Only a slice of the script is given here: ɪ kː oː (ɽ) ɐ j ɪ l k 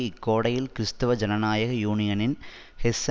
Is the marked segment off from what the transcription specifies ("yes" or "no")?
no